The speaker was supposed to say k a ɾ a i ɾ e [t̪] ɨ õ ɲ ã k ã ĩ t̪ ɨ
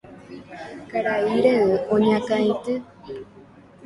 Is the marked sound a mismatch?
yes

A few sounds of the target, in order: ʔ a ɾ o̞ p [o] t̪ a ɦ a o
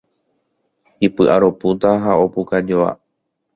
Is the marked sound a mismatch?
yes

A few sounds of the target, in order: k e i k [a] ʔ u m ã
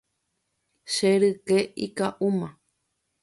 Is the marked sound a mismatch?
no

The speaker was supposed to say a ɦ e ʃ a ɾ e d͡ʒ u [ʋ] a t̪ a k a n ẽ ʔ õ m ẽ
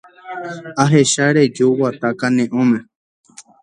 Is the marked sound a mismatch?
yes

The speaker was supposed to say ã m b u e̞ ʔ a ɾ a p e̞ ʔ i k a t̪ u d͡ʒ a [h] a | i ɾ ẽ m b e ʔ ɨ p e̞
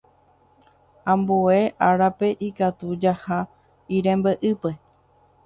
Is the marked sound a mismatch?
no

